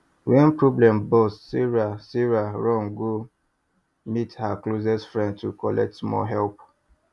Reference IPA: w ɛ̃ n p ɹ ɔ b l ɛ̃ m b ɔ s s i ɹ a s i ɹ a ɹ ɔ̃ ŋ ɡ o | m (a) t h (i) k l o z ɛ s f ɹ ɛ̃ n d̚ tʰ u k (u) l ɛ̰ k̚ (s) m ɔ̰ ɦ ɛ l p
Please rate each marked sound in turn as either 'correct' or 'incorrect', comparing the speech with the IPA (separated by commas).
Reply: incorrect, incorrect, incorrect, incorrect